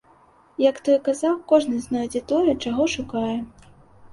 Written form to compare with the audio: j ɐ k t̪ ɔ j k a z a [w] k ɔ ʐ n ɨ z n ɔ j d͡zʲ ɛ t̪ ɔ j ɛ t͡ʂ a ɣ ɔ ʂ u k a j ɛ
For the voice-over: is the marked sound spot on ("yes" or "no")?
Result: yes